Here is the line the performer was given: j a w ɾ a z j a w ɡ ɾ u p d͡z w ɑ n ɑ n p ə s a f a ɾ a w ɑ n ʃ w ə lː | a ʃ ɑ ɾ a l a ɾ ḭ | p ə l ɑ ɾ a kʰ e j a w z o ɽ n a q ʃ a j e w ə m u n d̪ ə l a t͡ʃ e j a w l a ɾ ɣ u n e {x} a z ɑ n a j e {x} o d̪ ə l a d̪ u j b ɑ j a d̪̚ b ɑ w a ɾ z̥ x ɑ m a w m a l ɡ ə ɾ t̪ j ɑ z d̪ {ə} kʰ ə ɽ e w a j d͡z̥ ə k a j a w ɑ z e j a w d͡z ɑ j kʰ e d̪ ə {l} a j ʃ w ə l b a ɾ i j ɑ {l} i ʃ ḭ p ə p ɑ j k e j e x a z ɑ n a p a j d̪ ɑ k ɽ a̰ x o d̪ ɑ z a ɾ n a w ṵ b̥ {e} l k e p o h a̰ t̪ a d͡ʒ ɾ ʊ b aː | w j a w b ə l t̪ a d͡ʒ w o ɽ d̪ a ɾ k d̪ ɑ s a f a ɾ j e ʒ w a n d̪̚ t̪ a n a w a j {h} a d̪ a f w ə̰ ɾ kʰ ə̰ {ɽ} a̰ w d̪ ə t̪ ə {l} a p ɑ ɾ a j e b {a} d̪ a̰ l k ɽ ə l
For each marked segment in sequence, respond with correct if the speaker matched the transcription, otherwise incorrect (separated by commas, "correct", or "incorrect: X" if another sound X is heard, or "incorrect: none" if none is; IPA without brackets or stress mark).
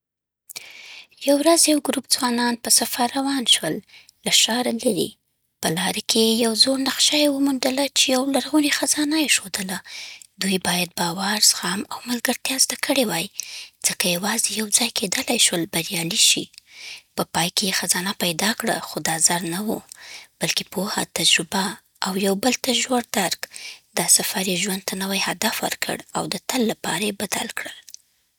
correct, incorrect: ʃ, incorrect: a, correct, correct, incorrect: a, correct, correct, incorrect: lː, correct